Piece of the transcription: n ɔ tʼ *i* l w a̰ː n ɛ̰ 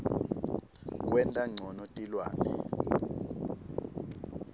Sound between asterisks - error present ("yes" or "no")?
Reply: no